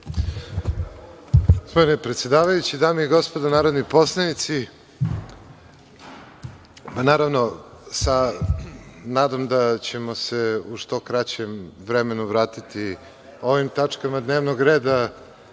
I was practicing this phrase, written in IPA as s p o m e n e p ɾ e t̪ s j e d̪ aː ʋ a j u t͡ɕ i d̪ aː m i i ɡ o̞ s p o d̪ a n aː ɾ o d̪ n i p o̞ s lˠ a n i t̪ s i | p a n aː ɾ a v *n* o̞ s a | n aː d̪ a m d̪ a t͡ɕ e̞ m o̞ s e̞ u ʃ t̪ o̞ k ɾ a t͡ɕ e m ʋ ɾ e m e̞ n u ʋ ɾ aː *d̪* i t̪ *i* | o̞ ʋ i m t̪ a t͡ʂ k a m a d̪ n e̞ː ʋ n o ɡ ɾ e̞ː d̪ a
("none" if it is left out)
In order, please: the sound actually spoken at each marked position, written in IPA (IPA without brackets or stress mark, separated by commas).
n, t̪, i